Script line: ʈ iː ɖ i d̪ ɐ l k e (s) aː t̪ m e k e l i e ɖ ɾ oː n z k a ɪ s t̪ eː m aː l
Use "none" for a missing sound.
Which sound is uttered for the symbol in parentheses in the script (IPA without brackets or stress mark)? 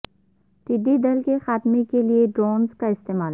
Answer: x